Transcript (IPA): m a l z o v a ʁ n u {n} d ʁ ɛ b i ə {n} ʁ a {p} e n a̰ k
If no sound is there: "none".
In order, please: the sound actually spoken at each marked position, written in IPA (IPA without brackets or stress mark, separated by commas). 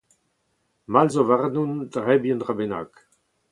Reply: n, n, b